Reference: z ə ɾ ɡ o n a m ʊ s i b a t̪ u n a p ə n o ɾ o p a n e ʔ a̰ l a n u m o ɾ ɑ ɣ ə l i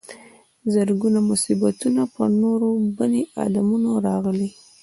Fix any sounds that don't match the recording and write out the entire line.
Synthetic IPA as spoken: z ə ɾ ɡ u n a m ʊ s i b a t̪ u n a p ə n o ɾ o b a n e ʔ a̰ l a m u n o ɾ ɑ ɣ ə l i